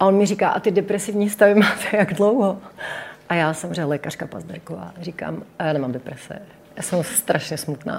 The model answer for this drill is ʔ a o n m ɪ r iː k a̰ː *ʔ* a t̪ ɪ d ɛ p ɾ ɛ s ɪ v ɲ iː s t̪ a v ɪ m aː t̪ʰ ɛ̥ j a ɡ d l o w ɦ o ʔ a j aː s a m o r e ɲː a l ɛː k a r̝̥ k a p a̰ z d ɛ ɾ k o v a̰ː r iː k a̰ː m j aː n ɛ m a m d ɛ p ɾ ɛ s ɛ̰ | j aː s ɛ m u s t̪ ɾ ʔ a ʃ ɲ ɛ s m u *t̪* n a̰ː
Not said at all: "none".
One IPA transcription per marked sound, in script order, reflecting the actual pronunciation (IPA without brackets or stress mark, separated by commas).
ʔ, t̪